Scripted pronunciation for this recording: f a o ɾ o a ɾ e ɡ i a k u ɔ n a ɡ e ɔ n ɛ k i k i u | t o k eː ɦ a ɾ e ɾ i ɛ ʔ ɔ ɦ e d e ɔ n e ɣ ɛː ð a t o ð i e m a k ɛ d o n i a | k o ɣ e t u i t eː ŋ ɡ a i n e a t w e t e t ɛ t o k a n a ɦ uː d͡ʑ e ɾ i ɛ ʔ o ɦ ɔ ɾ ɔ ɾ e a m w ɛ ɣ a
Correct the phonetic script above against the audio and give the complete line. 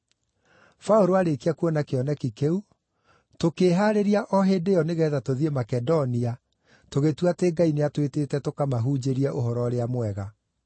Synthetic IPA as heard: f a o ɾ o a ɾ e k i a k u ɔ n a k e ɔ n ɛ k i k e u | t o k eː ɦ a ɾ e ɾ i a ʔ ɔ ɦ e d e ɔ n e ɣ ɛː ð a t o ð i e m a k ɛ d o n i a | t o ɣ e t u a t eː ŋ ɡ a i n e a t w e t e t ɛ t o k a m a ɦ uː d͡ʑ e ɾ i ɛ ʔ o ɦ ɔ ɾ ɔ ɾ e a m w ɛ ɣ a

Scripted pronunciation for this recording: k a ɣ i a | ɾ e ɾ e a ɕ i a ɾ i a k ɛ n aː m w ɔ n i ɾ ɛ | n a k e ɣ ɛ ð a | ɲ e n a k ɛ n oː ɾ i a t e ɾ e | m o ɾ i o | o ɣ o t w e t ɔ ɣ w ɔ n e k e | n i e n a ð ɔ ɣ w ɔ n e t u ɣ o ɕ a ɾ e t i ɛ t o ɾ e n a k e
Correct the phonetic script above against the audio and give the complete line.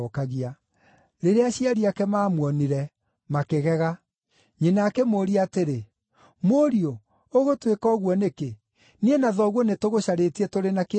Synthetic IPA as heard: k a ɣ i a | ɾ e ɾ e a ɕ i a ɾ i a k ɛ m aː m w ɔ n i ɾ ɛ | m a k e ɣ ɛ ɣ a | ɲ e n a k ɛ m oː ɾ i a t e ɾ e | m o ɾ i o | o ɣ o t w e k ɔ ɣ w ɔ n e k e | n i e n a ð ɔ ɣ w ɔ n e t o ɣ o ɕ a ɾ e t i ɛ t o ɾ e n a k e

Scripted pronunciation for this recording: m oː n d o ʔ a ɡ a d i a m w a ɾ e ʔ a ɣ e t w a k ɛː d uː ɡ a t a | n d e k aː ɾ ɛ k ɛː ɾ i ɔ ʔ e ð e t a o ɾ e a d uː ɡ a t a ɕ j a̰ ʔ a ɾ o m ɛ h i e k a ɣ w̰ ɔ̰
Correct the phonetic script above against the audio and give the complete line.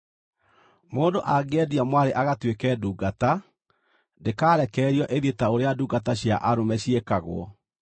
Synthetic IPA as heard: m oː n d o ʔ a ɡ ɛ d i a m w a ɾ e ʔ a ɣ a t w e k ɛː d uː ɡ a t a | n d e k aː ɾ ɛ k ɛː ɾ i ɔ ʔ e ð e t a o ɾ e a d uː ɡ a t a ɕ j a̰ ʔ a ɾ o m ɛ ɕ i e k a ɣ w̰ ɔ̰

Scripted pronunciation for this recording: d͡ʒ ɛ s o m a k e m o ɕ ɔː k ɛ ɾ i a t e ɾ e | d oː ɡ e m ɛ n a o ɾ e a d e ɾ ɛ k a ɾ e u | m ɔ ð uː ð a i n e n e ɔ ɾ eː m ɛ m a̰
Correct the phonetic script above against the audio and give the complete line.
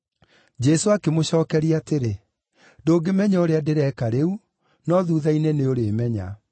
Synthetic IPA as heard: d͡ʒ ɛ s o a k e m o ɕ ɔː k ɛ ɾ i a t e ɾ e | d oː ɡ e m ɛ ɲ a o ɾ e a d e ɾ ɛ k a ɾ e u | n ɔ ð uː ð a i n e n e o ɾ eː m ɛ ɲ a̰

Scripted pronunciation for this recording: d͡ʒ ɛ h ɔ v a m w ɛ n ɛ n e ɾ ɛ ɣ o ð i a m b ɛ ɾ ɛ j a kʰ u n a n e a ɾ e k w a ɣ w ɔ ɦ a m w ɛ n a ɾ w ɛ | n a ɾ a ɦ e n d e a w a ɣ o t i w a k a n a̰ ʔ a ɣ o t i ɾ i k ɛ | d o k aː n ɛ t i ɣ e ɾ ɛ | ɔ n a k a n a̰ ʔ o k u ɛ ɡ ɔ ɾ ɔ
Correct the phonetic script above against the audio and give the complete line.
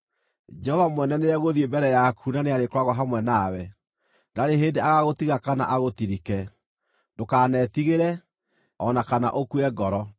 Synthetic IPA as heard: d͡ʒ ɛ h ɔ v a m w ɛ n ɛ n e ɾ ɛ ɣ o ð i e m b ɛ ɾ ɛ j a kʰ u n a n e a ɾ e k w a ɣ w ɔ ɦ a m w ɛ n a w ɛ | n a ɾ e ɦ e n d e a ɣ a ɣ o t i ɣ a k a n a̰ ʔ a ɣ o t i ɾ i k ɛ | d o k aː n ɛ t i ɣ e ɾ ɛ | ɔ n a k a n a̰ ʔ o k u ɛ ɡ ɔ ɾ ɔ

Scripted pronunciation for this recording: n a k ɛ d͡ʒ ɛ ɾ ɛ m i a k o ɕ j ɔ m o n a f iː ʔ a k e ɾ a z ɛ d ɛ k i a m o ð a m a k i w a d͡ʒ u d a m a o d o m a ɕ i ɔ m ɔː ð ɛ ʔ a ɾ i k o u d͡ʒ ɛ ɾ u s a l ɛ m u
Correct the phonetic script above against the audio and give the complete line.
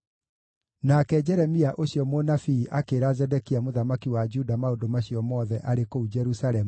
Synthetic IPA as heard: n a k ɛ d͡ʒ ɛ ɾ ɛ m i a ʔ o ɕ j ɔ m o n a f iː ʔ a k e ɾ a z ɛ d ɛ k i a m o ð a m a k i w a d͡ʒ u d a m a o d o m a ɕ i ɔ m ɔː ð ɛ ʔ a ɾ e k o u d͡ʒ ɛ ɾ u s a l ɛ m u

